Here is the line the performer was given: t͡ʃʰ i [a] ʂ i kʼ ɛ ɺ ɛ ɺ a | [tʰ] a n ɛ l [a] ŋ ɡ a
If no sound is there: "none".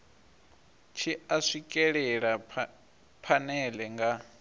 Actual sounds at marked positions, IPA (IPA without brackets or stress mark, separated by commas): a, pʰ, ɛ